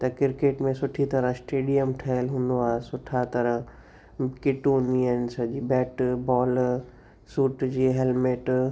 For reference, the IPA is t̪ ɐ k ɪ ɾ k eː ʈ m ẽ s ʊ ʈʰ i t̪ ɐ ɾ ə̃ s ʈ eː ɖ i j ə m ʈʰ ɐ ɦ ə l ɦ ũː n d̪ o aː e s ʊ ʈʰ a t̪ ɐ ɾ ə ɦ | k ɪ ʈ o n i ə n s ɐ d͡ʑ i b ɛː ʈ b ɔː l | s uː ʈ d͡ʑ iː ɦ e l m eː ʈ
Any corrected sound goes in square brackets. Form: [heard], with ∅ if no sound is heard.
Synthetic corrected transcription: t̪ ɐ k ɪ ɾ k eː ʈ m ẽ s ʊ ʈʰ i t̪ ɐ ɾ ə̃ s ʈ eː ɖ i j ə m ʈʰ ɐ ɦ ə l ɦ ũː n d̪ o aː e s ʊ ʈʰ a t̪ ɐ ɾ ə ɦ | k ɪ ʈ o n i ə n s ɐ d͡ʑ i b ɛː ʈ b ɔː l | s uː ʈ d͡ʑ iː ɦ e l m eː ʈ